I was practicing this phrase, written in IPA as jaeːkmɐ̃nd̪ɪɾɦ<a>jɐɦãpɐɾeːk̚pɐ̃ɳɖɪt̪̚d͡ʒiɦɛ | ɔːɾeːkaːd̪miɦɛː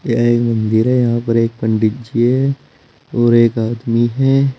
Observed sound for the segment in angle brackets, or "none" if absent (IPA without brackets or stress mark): ɛ